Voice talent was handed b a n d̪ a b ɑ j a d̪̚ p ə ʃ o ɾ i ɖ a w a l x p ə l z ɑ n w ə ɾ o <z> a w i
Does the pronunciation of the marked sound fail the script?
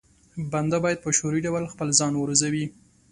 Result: no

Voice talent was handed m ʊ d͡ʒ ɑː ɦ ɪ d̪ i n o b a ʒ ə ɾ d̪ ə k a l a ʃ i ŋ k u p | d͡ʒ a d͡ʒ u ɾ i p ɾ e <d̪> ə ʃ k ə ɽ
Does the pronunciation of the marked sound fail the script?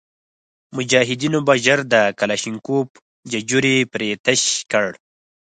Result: yes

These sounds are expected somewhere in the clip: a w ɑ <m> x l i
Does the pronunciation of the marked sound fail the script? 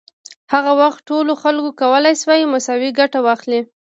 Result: yes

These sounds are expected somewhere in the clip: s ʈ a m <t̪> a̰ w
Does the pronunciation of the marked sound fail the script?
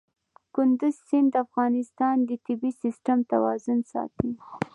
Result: no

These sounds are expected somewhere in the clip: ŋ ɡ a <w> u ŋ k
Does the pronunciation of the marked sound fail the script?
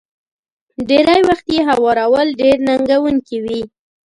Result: no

